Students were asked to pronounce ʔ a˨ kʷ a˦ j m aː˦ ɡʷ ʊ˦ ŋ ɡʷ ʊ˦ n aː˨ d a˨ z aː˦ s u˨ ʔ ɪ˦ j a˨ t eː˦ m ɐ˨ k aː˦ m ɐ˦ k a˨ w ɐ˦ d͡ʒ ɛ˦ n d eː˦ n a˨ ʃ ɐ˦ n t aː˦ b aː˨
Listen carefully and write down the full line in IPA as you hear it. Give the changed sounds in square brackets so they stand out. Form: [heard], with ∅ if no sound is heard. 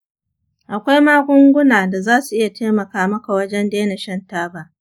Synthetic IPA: ʔ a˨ kʷ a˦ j m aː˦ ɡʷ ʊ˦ ŋ ɡʷ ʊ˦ n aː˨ d a˨ z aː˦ s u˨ ʔ ɪ˦ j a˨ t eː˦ m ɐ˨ k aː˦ m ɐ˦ k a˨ w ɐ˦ d͡ʒ ɛ˦ n d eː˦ n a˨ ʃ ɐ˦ n t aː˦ b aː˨